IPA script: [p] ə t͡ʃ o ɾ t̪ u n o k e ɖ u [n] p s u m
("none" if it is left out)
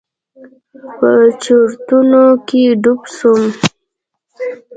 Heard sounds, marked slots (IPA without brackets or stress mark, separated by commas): p, none